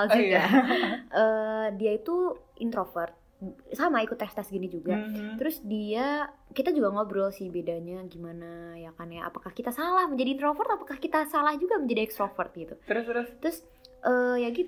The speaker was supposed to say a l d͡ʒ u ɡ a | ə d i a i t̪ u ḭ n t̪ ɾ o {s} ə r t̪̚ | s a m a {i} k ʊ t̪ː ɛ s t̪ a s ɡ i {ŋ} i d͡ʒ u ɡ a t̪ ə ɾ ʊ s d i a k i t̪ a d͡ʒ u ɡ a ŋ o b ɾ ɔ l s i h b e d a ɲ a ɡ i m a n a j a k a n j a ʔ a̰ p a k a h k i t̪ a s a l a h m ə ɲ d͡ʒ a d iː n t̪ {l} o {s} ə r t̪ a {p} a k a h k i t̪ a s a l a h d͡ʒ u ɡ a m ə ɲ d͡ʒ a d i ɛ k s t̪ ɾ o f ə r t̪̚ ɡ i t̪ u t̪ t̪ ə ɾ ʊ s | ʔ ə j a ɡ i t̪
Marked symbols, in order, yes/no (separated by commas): no, yes, no, no, no, yes